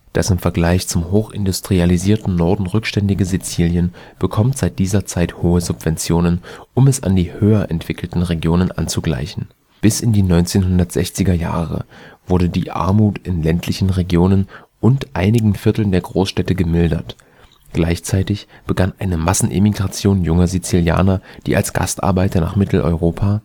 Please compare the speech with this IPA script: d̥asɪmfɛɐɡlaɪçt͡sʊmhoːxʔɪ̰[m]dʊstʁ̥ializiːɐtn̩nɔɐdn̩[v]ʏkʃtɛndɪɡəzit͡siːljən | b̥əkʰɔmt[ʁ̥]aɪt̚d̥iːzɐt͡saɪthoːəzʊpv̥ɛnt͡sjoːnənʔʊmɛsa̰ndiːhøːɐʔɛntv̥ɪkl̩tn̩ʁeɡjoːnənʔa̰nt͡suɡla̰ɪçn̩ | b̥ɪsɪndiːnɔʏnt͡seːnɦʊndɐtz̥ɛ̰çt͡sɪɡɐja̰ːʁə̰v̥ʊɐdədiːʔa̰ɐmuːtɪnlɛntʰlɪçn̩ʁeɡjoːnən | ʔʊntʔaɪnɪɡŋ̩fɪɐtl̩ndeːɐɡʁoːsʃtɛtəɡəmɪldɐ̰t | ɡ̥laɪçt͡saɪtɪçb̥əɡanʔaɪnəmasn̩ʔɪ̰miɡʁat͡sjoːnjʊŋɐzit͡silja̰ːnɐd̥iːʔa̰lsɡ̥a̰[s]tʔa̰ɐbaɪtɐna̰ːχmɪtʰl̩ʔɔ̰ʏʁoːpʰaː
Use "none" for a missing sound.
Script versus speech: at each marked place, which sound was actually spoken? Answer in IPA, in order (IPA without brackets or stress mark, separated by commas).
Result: n, ʁ, z̥, s